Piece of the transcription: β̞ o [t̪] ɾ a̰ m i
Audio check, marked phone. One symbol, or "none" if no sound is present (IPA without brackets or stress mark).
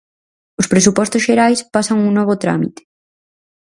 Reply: t̪